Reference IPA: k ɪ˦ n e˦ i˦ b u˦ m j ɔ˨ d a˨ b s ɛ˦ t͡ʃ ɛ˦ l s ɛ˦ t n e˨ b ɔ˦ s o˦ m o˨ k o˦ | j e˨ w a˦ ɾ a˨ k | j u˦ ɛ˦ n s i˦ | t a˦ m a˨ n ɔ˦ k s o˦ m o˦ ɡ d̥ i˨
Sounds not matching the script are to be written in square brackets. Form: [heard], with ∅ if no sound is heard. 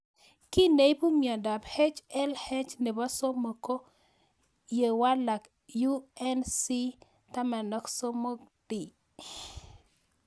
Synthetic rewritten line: k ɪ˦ n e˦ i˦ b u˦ m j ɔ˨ d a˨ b [h] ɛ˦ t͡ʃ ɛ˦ l [h] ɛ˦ [t͡ʃ] n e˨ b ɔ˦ s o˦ m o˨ k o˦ | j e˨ w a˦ [l] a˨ k | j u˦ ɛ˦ n s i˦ | t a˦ m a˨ n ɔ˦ k s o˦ m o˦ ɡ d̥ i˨